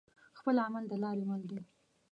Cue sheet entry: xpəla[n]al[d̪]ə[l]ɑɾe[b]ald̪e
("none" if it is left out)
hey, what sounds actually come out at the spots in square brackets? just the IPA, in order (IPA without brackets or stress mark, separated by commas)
m, d̪, l, m